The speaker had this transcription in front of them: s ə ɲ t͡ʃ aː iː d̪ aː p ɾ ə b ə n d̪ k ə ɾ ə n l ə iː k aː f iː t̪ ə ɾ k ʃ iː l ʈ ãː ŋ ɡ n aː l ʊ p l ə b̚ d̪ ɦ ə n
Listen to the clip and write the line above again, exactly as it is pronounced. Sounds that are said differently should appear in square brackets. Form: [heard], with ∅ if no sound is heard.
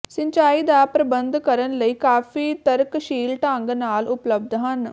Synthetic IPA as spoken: s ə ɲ t͡ʃ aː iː d̪ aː p ɾ ə b ə n d̪ k ə ɾ ə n l ə iː k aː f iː t̪ ə ɾ k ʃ iː l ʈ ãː ŋ ɡ n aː l ʊ p l ə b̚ d̪ ɦ ə n